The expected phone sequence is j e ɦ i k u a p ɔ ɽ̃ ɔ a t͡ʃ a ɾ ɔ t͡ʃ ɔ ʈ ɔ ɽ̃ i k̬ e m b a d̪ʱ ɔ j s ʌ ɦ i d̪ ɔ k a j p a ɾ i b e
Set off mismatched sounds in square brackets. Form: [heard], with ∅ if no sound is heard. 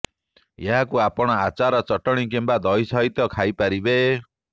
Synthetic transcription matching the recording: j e ɦ [a] k u a p ɔ ɽ̃ ɔ a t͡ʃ a ɾ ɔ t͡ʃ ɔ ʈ ɔ ɽ̃ i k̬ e m b a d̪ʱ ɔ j s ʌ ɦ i [t̪] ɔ [kʰ] a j p a ɾ i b e